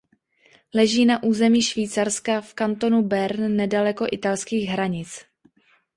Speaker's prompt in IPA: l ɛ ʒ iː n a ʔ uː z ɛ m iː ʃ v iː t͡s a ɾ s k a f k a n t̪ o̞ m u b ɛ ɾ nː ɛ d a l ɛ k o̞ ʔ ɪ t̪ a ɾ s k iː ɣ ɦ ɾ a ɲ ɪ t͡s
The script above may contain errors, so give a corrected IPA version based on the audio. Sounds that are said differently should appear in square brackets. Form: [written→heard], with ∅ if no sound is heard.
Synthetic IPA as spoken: l ɛ ʒ iː n a ʔ uː z ɛ m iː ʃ v iː t͡s a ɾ s k a f k a n t̪ o̞ [m→n] u b ɛ ɾ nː ɛ d a l ɛ k o̞ ʔ ɪ t̪ a [ɾ→l] s k iː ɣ ɦ ɾ a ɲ ɪ t͡s